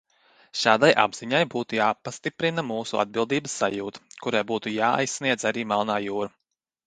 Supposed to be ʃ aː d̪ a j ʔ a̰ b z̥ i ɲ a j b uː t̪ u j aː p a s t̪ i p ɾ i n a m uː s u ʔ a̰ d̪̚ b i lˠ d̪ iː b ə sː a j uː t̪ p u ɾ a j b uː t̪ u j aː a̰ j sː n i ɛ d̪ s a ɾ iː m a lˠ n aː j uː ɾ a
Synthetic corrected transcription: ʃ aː d̪ a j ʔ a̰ b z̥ i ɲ a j b uː t̪ u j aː p a s t̪ i p ɾ i n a m uː s u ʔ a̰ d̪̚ b i lˠ d̪ iː b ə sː a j uː t̪ k u ɾ a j b uː t̪ u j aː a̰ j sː n i ɛ d̪ z a ɾ iː m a lˠ n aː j uː ɾ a